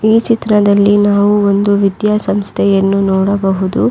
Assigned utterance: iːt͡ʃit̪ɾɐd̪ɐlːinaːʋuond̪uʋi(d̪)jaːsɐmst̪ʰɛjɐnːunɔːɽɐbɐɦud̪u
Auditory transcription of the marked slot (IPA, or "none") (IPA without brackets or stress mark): d̪